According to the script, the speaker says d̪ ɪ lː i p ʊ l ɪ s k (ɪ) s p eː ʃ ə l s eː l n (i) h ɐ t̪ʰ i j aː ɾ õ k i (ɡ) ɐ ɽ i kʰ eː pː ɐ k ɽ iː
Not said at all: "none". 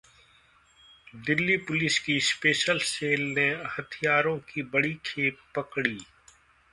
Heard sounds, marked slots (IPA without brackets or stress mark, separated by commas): i, e, b